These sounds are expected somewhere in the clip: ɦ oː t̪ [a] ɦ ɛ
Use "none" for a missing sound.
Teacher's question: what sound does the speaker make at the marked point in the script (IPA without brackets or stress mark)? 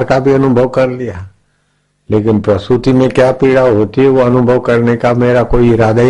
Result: i